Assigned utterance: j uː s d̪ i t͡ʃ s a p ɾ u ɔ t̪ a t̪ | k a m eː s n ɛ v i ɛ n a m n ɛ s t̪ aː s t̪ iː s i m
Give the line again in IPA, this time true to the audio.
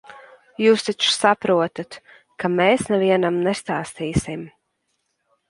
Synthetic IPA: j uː s t̪ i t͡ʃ s a p ɾ u ɔ t̪ a t̪ | k a m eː s n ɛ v i ɛ n a m n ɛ s t̪ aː s t̪ iː s i m

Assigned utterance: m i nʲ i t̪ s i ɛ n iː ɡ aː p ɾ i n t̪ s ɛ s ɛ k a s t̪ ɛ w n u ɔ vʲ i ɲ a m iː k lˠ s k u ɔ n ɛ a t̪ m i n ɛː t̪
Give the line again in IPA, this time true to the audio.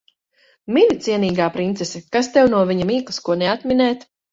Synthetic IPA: m i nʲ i t̪ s i ɛ n iː ɡ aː p ɾ i n t̪ s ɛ s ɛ k a s t̪ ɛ w n u ɔ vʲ i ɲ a m iː k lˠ s k u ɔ n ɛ a t̪ m i n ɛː t̪

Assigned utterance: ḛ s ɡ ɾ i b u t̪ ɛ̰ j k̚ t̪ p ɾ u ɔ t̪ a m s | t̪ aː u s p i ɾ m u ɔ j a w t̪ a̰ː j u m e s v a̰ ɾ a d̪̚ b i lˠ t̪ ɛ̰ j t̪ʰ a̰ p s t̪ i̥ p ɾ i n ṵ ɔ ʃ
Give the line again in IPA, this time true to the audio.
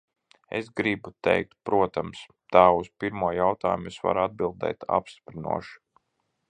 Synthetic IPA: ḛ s ɡ ɾ i b u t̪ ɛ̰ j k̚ t̪ p ɾ u ɔ t̪ a m s | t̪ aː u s p i ɾ m u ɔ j a w t̪ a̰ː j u m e s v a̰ ɾ a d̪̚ b i lˠ d̪ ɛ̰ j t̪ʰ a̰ p s t̪ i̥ p ɾ i n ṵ ɔ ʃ

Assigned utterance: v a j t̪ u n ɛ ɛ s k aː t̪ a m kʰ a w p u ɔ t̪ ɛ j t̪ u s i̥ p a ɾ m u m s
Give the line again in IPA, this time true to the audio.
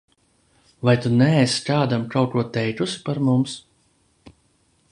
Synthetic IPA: v a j t̪ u n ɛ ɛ s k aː d̪ a m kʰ a w k u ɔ t̪ ɛ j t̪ u s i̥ p a ɾ m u m s

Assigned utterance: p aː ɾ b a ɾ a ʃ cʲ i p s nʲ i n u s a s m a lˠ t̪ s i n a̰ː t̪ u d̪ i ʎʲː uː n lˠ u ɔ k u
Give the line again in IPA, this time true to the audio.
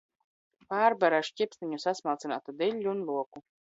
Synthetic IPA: p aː ɾ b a ɾ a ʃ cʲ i p s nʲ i ɲ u s a s m a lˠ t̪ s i n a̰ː t̪ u d̪ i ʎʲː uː n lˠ u ɔ k u

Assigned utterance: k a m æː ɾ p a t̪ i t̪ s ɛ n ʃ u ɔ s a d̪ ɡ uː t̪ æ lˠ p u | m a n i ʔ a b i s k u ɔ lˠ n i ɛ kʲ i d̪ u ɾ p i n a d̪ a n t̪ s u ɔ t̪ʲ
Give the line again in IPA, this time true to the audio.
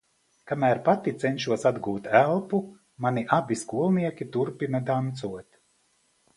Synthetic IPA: k a m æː ɾ p a t̪ i t̪ s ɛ n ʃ u ɔ s a d̪ ɡ uː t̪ æ lˠ p u | m a n i ʔ a b i s k u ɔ lˠ n i ɛ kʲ i t̪ u ɾ p i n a d̪ a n t̪ s u ɔ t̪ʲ

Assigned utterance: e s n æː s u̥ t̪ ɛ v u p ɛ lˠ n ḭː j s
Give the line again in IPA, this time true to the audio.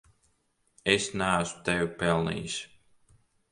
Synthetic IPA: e s n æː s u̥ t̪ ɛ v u p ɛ lˠ n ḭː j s

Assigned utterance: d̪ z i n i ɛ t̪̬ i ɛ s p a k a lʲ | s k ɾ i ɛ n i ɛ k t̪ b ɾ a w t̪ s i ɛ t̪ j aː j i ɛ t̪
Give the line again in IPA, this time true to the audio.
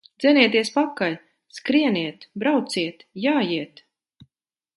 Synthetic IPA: d̪ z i n i ɛ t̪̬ i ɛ s p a k a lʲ | s k ɾ i ɛ n i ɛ t̪ b ɾ a w t̪ s i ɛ t̪ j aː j i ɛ t̪

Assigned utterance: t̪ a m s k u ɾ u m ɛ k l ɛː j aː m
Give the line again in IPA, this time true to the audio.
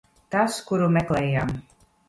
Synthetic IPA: t̪ a s k u ɾ u m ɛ k l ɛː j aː m

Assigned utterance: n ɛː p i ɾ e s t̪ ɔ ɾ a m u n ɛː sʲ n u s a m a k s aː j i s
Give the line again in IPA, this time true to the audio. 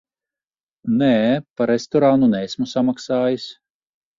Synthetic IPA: n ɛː p a ɾ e s t̪ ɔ ɾ a n u n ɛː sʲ m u s a m a k s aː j i s

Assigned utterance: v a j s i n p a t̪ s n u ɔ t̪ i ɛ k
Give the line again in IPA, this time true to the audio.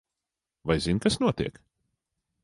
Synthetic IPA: v a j z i n k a s n u ɔ t̪ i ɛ k

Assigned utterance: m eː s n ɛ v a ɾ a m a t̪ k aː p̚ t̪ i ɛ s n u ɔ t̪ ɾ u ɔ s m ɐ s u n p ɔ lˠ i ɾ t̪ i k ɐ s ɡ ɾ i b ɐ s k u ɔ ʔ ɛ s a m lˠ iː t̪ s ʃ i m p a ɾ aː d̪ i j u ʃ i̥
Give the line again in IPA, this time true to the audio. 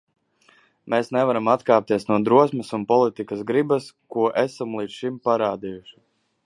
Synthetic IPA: m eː s n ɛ v a ɾ a m a t̪ k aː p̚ t̪ i ɛ s n u ɔ d̪ ɾ u ɔ s m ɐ s u n p ɔ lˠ i t̪ i k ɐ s ɡ ɾ i b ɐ s k u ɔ ʔ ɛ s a m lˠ iː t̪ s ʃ i m p a ɾ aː d̪ i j u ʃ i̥

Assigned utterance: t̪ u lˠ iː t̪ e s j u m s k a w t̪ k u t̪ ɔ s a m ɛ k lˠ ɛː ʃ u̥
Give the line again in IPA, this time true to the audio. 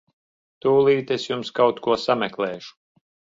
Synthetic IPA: t̪ uː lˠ iː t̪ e s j u m s k a w t̪ k u ɔ s a m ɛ k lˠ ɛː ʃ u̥

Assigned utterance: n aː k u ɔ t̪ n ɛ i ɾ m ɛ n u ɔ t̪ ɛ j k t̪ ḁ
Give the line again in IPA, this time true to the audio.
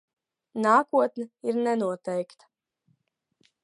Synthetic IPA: n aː k u ɔ t̪ n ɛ i ɾ n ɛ n u ɔ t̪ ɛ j k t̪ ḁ

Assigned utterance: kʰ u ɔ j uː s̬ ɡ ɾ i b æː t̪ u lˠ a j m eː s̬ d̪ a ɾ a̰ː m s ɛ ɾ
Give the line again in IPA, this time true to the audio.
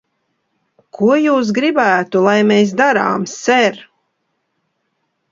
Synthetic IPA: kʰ u ɔ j uː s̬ ɡ ɾ i b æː t̪ u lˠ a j m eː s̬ d̪ a ɾ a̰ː m s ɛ ɾ

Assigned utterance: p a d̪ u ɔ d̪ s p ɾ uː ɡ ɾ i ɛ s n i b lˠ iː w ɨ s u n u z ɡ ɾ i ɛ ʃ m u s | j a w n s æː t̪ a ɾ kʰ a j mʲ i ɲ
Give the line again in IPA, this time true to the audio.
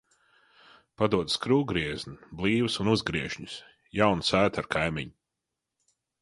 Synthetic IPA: p a d̪ u ɔ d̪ s k ɾ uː ɡ ɾ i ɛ z n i b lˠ iː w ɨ s u n u z ɡ ɾ i ɛ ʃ ɲ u s | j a w n s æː t̪ a ɾ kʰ a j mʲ i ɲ

